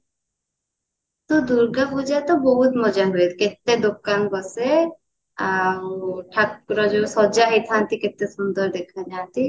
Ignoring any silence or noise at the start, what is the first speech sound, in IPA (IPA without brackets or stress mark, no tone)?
t̪